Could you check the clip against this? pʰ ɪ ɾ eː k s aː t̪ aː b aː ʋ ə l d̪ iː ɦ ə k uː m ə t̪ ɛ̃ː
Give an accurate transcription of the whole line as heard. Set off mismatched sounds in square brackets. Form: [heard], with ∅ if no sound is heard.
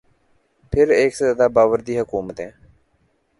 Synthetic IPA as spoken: pʰ ɪ ɾ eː k s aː [d̪] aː b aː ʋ ə [ɾ] d̪ iː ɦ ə k uː m ə t̪ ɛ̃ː